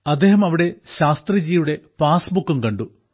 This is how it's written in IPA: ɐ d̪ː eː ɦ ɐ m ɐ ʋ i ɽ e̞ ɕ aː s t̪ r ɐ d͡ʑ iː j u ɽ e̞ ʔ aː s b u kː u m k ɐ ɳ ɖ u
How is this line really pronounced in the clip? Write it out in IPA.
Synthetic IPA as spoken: ɐ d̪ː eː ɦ ɐ m ɐ ʋ i ɽ e̞ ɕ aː s t̪ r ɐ d͡ʑ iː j u ɽ e̞ p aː s b u kː u m k ɐ ɳ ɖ u